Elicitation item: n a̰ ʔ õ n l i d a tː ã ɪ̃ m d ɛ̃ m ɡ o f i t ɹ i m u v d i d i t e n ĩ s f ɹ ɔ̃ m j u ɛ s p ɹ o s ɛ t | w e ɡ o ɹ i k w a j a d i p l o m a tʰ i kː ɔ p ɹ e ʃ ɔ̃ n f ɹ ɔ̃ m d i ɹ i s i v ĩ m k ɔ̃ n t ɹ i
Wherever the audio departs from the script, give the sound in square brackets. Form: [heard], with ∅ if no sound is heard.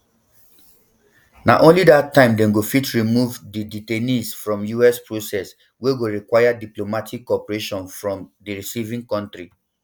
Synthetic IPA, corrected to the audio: n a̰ ʔ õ n l i d a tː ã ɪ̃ m d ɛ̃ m ɡ o f i t ɹ i m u v d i d i t e n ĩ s f ɹ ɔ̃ m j u ɛ s p ɹ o s ɛ [s] | w e ɡ o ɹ i k w a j a d i p l o m a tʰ i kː ɔ p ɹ e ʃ ɔ̃ n f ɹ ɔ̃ m d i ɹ i s i v ĩ [ŋ] k ɔ̃ n t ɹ i